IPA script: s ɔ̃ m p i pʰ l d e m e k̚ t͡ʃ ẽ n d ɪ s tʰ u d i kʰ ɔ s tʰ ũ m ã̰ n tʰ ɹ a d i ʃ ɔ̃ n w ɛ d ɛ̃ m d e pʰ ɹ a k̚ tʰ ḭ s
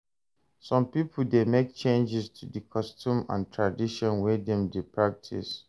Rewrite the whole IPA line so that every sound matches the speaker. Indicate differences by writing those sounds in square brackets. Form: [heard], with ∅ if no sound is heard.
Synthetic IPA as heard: s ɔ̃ m p i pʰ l d e m e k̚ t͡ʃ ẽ n [d͡ʒ] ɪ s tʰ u d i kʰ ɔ s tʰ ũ m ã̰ n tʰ ɹ a d i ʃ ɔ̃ n w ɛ d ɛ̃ m d e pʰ ɹ a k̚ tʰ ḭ s